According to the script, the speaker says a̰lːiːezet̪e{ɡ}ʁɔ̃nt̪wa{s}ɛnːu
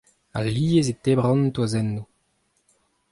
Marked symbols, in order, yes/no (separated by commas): no, no